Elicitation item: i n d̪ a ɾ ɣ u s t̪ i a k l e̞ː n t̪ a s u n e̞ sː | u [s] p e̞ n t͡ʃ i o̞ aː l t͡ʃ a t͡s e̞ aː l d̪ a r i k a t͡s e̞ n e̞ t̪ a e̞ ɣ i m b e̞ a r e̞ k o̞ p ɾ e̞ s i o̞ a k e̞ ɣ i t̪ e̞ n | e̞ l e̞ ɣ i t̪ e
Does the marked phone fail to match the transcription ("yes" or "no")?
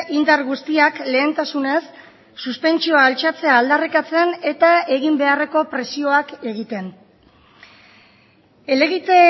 no